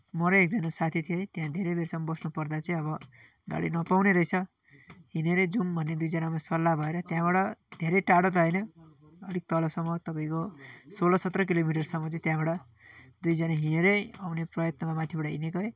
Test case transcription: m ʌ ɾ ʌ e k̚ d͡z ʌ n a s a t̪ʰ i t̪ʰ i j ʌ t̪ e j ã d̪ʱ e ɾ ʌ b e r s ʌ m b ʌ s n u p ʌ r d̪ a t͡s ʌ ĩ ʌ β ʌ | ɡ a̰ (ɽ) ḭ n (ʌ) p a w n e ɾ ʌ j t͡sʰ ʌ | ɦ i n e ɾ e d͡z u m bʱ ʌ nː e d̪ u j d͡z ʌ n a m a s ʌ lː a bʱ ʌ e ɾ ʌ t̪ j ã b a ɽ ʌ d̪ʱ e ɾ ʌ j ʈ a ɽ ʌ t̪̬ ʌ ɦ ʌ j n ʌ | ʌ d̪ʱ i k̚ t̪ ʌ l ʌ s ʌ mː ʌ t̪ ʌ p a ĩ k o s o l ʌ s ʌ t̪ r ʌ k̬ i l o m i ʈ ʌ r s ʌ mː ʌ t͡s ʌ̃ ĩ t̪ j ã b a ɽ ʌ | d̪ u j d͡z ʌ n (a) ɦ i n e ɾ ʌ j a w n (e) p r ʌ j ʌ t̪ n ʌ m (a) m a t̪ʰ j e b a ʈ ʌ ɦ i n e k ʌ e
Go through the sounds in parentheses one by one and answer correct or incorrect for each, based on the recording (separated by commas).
correct, correct, correct, correct, correct